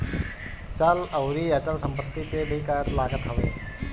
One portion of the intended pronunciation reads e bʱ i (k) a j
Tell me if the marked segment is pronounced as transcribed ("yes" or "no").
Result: yes